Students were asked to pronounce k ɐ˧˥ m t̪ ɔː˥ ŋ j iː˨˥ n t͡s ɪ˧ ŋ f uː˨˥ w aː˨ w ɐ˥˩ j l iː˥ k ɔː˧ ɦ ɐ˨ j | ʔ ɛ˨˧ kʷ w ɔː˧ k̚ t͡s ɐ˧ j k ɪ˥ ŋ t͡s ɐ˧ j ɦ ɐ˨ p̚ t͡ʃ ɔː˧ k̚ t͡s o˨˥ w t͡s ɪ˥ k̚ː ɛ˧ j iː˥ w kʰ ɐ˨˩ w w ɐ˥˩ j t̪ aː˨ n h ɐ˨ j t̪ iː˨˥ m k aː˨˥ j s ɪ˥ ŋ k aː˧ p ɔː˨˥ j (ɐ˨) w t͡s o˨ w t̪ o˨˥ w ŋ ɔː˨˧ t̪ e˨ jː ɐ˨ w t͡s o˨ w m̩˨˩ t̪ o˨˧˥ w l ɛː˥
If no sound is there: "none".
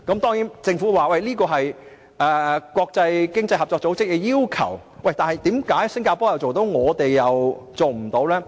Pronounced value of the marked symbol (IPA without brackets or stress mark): ɐ˨